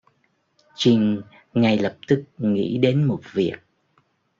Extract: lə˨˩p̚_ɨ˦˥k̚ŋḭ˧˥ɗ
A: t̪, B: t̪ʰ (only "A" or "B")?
A